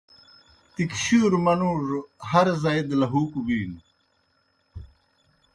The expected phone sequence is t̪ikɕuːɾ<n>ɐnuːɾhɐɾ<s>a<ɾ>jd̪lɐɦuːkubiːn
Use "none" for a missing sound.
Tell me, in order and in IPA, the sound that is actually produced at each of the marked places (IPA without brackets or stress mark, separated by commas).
m, z, none